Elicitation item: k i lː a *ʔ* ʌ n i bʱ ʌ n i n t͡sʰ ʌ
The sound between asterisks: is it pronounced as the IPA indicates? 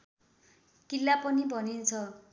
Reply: no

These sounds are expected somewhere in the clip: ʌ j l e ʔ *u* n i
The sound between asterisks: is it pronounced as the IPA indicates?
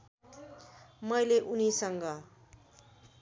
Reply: yes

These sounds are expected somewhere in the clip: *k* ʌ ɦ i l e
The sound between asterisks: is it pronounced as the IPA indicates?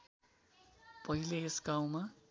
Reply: no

